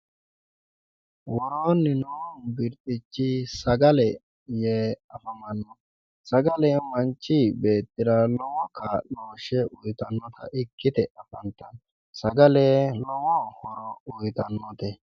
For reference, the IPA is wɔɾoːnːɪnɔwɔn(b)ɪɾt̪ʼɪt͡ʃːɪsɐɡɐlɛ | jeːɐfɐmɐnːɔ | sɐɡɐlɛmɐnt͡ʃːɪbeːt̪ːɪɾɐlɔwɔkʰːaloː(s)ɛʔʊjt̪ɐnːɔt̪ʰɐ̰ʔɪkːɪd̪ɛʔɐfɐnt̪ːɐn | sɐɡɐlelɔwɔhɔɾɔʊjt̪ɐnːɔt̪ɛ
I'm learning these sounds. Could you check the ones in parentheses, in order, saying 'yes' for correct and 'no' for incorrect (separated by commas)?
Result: yes, no